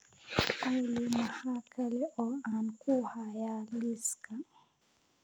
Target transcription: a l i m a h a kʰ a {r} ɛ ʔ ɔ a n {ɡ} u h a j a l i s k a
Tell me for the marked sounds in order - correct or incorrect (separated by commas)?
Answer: incorrect, incorrect